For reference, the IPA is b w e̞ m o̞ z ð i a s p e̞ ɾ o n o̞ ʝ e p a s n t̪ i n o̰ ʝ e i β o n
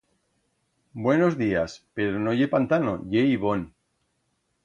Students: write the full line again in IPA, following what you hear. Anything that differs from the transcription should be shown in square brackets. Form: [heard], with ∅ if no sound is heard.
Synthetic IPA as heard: b w e̞ [n] o̞ z ð i a s p e̞ ɾ o n o̞ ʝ e p a [∅] n t̪ [a] n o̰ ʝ e i β o n